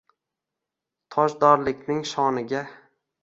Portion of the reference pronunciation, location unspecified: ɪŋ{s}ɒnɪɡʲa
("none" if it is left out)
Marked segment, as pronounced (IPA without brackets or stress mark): ʃ